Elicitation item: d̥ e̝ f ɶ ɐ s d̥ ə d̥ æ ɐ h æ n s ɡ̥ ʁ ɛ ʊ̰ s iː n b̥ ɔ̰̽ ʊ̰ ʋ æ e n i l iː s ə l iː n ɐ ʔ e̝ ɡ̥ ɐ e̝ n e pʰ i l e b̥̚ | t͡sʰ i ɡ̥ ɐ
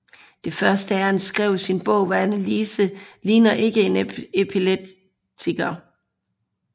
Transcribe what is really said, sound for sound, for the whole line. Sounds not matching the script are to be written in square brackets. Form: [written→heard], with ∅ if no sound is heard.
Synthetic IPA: d̥ e̝ f ɶ ɐ s d̥ ə [d̥→∅] æ ɐ h æ n s ɡ̥ ʁ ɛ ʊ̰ s [iː→i] n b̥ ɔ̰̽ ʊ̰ ʋ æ [e→æ] n [i→æ] l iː s ə l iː n ɐ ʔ e̝ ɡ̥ [ɐ→ə] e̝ n e pʰ i l e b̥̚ | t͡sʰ i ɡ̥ ɐ